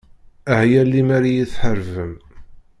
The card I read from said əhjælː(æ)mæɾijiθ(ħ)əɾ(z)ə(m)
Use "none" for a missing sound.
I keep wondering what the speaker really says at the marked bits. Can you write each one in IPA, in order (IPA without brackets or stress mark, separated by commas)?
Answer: i, ħ, v, m